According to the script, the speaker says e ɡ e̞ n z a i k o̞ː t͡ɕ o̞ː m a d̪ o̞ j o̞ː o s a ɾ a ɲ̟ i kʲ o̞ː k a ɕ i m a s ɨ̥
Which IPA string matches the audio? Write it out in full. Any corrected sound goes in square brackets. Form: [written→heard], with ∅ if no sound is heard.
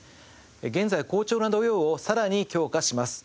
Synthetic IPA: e ɡ [e̞→ẽ̞] n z a i k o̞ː t͡ɕ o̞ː [m→n] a d̪ o̞ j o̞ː o s a ɾ a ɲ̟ i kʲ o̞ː k a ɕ i m a s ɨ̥